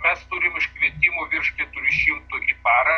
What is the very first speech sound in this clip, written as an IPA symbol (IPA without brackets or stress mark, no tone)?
mʲ